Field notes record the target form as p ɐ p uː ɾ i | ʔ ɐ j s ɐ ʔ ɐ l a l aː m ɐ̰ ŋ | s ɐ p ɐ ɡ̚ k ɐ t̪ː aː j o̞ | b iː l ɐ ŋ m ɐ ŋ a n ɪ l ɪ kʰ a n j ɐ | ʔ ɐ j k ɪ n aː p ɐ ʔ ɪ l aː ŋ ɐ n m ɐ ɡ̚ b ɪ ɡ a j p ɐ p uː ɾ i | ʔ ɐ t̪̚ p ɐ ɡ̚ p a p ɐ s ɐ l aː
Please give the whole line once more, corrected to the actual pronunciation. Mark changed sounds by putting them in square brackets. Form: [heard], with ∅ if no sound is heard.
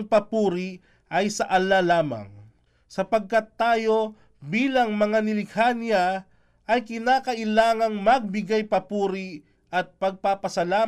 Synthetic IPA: p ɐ p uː ɾ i | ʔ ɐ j s ɐ ʔ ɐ l a l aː m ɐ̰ ŋ | s ɐ p ɐ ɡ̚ k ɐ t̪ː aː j o̞ | b iː l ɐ ŋ m ɐ ŋ a n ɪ l ɪ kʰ a n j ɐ | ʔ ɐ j k ɪ n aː [k] ɐ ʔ ɪ l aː ŋ ɐ [ŋ] m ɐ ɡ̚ b ɪ ɡ a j p ɐ p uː ɾ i | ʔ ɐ t̪̚ p ɐ ɡ̚ p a p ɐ s ɐ l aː